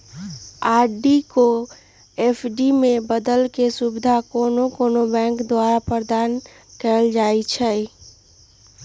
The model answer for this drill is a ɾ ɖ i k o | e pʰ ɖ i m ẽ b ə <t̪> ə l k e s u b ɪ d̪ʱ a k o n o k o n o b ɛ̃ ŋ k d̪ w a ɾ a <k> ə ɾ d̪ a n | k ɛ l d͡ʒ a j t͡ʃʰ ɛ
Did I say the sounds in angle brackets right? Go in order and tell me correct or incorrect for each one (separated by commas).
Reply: incorrect, incorrect